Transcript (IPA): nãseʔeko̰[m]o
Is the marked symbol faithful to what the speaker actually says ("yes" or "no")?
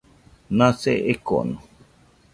no